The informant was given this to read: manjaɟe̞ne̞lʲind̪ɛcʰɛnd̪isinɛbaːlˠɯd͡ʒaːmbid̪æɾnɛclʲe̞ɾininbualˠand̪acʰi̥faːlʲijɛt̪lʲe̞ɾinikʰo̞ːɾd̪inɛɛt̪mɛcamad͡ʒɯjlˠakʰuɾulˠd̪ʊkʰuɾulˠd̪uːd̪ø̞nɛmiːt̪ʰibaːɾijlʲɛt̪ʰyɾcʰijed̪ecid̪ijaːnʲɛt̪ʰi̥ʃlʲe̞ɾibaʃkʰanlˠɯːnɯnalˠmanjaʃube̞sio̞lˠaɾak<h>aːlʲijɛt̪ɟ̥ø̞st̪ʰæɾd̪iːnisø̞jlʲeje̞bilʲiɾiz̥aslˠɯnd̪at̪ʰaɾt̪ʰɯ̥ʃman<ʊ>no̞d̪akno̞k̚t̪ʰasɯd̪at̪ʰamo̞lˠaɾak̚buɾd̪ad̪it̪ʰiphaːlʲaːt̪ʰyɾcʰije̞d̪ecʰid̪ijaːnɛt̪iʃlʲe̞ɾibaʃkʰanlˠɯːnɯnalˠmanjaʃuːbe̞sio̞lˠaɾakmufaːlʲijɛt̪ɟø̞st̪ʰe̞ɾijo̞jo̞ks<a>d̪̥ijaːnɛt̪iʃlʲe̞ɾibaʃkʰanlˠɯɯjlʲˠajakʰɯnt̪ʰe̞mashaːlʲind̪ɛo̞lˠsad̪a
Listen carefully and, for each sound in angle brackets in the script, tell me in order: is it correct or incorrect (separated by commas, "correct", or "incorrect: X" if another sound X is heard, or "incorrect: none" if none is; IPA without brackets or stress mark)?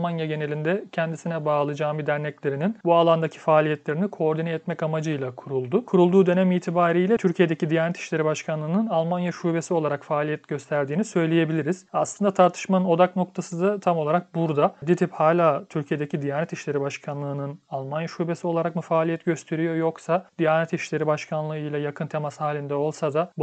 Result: incorrect: f, incorrect: ɯ, correct